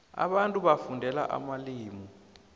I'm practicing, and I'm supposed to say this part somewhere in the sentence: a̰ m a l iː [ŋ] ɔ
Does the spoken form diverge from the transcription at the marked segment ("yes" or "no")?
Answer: yes